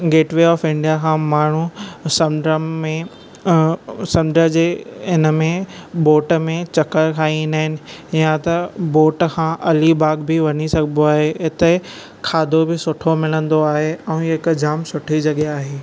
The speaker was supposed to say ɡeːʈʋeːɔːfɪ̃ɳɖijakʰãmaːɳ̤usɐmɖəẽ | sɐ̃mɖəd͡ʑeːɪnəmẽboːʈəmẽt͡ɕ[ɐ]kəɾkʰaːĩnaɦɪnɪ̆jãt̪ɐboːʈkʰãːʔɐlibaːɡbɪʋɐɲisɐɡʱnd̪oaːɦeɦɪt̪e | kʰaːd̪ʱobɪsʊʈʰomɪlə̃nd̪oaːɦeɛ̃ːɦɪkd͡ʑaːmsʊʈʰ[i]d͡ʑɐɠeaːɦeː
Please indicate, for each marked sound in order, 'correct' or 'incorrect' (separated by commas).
correct, correct